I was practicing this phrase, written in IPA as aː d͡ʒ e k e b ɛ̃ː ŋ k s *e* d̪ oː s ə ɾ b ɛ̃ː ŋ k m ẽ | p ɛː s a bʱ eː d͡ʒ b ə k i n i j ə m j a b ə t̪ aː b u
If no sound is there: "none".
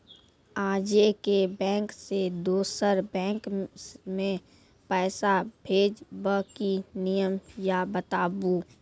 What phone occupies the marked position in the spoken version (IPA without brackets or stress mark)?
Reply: e